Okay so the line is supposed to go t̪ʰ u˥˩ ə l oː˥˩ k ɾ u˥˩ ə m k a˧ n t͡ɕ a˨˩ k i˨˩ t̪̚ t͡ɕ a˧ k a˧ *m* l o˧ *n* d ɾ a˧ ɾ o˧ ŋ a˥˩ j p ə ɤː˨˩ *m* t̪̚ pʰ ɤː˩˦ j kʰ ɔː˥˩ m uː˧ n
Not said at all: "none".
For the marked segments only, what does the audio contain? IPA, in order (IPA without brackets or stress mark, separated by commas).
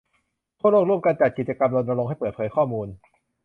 m, n, none